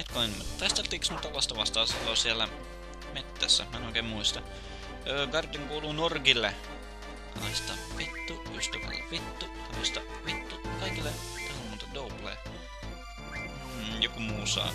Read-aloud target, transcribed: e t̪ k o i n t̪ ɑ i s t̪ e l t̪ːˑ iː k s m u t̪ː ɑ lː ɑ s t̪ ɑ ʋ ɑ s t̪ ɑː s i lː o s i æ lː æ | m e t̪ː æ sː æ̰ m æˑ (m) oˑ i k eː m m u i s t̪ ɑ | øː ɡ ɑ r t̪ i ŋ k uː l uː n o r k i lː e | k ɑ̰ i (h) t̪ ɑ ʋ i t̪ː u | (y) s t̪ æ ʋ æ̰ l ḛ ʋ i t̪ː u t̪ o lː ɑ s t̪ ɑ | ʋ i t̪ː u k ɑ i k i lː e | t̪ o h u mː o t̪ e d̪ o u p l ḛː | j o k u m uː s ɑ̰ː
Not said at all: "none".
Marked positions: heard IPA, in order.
n, s, y

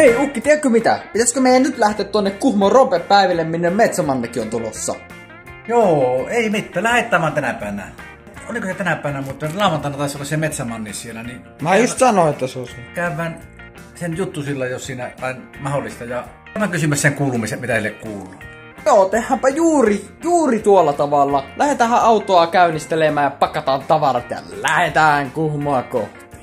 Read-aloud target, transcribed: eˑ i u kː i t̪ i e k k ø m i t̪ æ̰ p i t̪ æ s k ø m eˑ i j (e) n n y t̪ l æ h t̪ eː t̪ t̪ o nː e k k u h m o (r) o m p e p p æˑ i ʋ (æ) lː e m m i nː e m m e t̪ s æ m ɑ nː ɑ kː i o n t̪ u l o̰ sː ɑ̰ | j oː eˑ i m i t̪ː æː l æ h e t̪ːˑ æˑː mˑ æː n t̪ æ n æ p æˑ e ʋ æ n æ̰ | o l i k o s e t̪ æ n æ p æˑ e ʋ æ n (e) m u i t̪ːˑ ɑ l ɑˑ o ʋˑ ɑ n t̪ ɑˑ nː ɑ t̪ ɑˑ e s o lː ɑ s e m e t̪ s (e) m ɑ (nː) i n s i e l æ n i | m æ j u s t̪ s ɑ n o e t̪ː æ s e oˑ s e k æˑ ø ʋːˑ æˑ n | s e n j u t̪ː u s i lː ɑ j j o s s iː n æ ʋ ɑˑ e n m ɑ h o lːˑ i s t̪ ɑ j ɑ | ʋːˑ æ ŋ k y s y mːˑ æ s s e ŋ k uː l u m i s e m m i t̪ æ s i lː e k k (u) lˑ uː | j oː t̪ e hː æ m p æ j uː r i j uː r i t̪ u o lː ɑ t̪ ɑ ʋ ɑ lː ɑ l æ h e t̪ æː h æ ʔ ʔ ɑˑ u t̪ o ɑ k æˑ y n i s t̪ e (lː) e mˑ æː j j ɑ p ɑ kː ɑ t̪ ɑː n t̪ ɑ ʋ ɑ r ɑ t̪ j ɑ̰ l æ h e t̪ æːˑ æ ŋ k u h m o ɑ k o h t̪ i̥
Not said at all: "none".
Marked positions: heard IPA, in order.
æ, r, i, æ, æ, nː, uː, l

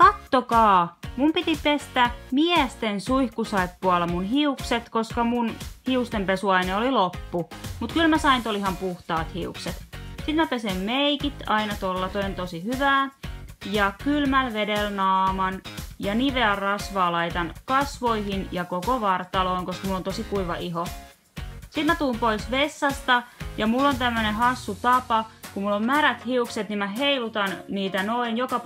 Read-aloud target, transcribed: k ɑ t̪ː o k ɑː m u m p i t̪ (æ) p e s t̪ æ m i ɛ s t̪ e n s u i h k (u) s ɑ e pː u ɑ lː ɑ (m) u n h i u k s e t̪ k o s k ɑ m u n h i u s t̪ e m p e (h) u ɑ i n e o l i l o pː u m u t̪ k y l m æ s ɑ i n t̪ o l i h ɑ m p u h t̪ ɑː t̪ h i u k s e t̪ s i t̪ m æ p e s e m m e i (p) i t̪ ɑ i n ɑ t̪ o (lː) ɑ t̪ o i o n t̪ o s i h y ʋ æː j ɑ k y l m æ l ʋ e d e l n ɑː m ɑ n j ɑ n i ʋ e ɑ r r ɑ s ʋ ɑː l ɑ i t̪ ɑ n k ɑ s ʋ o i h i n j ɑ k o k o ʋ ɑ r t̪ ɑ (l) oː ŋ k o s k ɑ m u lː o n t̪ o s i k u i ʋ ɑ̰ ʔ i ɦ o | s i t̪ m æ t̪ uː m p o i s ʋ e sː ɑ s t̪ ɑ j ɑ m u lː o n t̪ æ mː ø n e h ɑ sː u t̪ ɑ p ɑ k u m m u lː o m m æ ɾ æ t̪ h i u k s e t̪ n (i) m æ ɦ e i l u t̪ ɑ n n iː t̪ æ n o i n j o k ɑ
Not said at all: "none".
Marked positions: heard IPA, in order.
i, u, m, s, k, lː, l, i

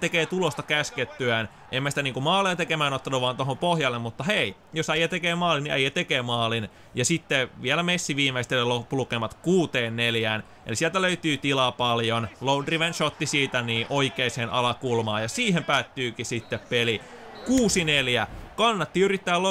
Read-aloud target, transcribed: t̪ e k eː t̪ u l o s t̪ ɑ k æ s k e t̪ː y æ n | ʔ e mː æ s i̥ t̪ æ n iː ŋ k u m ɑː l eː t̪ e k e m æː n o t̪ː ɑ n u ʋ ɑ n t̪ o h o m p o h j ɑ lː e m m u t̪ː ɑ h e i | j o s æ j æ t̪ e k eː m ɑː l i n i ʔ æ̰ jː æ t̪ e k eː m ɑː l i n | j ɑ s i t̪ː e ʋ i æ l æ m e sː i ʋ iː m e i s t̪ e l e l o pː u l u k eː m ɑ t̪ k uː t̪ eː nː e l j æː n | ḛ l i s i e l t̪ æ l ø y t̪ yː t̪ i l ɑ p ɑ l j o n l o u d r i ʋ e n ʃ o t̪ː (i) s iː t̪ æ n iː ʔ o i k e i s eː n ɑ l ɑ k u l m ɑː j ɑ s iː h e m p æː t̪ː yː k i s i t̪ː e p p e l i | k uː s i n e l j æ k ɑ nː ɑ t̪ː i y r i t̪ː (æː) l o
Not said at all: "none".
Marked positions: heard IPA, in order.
i, æː

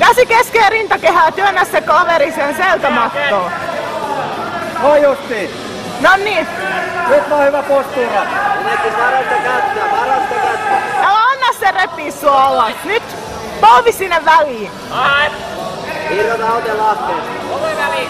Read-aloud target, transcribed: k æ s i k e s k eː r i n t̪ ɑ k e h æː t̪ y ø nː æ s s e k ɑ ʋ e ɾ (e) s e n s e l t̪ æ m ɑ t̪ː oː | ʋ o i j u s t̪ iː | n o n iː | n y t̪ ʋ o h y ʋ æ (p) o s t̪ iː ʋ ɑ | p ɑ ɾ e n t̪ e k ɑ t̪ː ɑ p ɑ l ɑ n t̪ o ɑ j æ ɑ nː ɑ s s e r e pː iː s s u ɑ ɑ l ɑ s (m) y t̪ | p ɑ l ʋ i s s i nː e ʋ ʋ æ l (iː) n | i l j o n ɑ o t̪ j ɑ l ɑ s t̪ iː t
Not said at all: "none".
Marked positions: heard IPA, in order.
i, p, n, iː

